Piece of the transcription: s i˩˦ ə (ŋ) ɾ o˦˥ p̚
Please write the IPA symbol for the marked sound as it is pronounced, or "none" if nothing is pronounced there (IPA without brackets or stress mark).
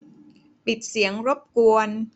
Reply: ŋ